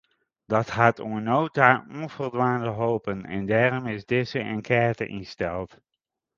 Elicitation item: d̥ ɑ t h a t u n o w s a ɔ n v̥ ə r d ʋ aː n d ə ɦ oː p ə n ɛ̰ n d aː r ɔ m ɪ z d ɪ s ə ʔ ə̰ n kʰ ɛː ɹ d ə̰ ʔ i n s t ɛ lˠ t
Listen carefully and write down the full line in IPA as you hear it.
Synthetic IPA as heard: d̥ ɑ t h a t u n o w t a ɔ n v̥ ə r d ʋ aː n d ə ɦ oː p ə n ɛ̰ n d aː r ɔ m ɪ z d ɪ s ə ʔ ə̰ n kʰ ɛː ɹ t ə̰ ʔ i n s t ɛ lˠ t